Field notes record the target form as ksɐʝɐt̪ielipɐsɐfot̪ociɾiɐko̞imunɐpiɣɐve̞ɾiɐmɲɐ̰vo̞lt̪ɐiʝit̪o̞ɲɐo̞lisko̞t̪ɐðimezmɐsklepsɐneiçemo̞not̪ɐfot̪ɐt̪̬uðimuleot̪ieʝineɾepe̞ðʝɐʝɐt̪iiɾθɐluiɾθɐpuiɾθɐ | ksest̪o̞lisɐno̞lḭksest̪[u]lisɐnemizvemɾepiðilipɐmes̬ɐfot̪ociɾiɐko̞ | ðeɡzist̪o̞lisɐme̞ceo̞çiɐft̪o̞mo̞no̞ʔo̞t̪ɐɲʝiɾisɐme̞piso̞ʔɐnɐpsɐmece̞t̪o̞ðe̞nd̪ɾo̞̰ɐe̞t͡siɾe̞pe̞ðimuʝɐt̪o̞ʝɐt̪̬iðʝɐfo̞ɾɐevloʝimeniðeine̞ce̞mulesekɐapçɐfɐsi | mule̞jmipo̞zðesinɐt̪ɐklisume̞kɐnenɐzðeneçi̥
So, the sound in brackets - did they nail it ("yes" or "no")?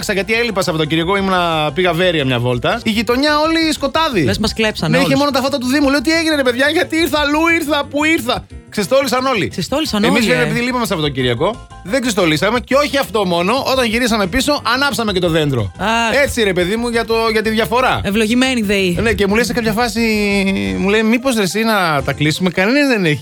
no